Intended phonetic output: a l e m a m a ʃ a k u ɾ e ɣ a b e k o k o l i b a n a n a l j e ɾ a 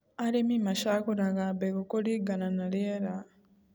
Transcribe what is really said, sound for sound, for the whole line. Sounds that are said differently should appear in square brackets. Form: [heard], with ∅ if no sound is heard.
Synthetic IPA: a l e m [i] m a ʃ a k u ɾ [a] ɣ a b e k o k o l i [ɡ] a n a n a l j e ɾ a